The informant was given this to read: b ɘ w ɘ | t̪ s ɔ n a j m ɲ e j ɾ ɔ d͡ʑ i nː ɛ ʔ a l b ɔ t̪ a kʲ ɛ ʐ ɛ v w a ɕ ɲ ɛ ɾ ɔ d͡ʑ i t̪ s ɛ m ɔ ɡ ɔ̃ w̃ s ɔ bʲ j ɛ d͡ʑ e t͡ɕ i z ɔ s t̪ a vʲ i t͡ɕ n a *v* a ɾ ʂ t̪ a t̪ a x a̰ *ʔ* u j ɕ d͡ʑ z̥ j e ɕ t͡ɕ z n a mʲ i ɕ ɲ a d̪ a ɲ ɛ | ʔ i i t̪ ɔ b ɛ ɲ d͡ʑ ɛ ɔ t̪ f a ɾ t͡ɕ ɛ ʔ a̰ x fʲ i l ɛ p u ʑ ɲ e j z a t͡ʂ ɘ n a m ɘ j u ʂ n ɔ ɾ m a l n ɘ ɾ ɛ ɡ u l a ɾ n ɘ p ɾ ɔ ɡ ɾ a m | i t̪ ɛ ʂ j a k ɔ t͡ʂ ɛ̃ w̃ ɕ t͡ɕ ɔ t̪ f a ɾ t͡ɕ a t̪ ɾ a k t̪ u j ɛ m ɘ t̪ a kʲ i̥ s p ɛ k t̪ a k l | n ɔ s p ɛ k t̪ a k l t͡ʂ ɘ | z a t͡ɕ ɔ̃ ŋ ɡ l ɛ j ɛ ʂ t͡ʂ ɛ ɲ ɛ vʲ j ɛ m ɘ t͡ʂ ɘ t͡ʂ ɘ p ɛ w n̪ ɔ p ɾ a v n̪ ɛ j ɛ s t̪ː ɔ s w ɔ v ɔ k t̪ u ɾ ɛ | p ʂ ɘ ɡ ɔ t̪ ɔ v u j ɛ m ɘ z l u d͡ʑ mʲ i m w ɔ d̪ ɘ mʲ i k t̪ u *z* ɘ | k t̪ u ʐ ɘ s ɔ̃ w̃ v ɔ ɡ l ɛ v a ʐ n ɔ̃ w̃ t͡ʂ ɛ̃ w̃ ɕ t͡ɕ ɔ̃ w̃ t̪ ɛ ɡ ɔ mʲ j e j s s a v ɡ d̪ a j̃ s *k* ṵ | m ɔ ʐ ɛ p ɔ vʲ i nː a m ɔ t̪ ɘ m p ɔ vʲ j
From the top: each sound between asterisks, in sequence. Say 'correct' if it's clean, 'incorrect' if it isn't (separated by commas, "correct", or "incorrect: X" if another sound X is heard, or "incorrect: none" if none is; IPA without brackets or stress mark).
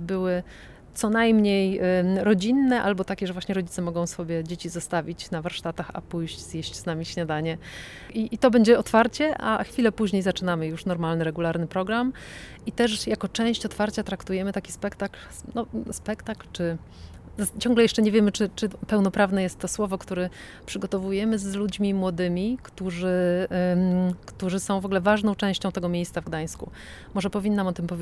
correct, incorrect: p, incorrect: ʐ, correct